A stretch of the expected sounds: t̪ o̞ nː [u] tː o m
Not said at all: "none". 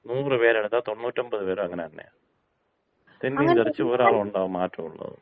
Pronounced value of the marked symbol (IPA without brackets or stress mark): uː